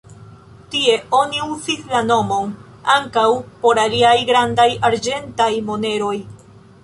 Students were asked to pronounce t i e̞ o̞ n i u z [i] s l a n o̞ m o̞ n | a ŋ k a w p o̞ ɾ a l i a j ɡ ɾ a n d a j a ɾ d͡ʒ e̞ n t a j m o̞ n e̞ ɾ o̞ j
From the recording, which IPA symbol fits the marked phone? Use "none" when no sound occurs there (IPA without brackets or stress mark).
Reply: i